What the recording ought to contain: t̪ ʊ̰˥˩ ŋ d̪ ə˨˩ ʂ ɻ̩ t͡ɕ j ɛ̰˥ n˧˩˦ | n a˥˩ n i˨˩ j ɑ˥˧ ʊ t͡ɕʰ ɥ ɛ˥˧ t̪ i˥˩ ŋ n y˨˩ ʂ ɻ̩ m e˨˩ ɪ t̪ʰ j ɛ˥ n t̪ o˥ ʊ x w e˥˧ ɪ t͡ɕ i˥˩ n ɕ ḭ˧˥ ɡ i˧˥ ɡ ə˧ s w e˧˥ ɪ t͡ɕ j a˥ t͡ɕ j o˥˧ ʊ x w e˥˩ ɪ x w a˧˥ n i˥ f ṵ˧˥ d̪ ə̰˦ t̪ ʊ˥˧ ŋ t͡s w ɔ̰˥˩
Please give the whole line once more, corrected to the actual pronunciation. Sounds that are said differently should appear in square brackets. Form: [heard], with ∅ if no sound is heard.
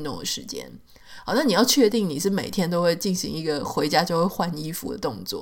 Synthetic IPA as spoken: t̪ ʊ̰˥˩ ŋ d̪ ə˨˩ ʂ ɻ̩ t͡ɕ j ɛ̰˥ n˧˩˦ | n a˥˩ n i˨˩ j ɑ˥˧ ʊ t͡ɕʰ ɥ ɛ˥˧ t̪ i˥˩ ŋ n [i˨˩] ʂ ɻ̩ m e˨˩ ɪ t̪ʰ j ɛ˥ n t̪ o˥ ʊ x w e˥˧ ɪ t͡ɕ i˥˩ n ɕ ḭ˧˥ [ŋ] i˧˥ ɡ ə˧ [x] w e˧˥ ɪ t͡ɕ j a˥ t͡ɕ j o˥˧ ʊ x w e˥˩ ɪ x w [a˥˩] n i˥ f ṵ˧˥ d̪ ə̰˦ t̪ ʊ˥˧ ŋ t͡s w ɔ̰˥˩